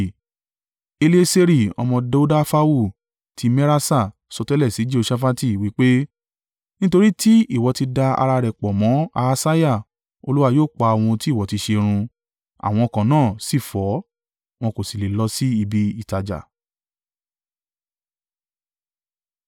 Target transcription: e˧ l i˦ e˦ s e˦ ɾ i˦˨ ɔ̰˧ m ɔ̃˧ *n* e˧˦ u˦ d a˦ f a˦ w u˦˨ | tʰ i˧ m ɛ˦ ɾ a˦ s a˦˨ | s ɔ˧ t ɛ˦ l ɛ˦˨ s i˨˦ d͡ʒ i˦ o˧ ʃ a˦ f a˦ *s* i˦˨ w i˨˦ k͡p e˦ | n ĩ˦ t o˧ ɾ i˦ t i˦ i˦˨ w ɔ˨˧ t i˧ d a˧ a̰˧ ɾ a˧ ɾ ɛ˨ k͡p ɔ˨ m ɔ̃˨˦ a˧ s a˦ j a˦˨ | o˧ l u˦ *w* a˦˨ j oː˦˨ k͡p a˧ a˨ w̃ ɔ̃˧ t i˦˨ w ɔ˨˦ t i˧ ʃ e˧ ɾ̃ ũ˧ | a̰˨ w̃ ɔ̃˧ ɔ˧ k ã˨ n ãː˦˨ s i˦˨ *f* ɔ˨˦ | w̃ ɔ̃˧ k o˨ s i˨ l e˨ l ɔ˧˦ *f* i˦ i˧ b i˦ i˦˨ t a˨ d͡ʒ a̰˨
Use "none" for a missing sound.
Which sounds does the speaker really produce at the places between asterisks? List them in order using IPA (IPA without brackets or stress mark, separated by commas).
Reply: d, t, w, f, s